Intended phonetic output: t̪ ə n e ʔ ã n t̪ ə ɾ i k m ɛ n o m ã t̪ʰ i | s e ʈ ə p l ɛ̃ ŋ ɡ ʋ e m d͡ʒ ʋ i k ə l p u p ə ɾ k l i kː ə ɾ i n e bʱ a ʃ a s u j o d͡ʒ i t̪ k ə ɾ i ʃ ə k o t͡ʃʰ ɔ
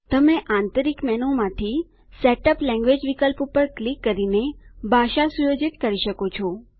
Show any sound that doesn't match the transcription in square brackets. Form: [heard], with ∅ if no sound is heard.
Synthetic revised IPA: t̪ ə [m] e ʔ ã n t̪ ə ɾ i k m ɛ n o m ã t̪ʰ i | s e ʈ ə p l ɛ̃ ŋ ɡ ʋ e [∅] d͡ʒ ʋ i k ə l p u p ə ɾ k l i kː ə ɾ i n e bʱ a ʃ a s u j o d͡ʒ i t̪ k ə ɾ i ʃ ə k o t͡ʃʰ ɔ